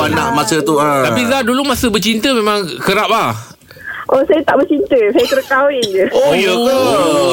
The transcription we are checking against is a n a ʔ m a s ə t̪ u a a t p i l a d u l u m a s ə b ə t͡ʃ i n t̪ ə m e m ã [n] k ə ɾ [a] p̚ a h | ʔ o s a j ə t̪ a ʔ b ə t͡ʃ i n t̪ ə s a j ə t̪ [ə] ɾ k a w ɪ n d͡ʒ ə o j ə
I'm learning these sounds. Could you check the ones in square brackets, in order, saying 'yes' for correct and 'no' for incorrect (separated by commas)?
no, yes, yes